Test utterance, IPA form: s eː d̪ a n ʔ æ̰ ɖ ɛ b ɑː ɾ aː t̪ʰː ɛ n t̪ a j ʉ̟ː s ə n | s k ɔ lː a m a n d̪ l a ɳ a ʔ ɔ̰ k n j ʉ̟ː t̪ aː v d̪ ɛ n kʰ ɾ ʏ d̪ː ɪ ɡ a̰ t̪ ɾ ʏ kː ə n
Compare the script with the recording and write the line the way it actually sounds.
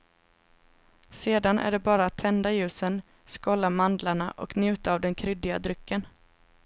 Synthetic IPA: s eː d̪ a n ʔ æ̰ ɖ ɛ b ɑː ɾ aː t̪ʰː ɛ n d̪ a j ʉ̟ː s ə n | s k ɔ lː a m a n d̪ l a ɳ a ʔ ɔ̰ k n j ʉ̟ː t̪ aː v d̪ ɛ n kʰ ɾ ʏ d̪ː ɪ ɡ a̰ d̪ ɾ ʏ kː ə n